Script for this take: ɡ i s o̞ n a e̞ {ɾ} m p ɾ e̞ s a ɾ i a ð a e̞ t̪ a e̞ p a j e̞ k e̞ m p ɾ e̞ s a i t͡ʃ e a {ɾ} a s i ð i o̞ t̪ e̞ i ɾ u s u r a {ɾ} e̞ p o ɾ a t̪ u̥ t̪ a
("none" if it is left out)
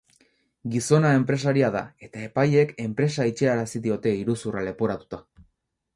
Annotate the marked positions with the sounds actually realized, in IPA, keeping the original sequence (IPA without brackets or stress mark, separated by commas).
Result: none, ɾ, l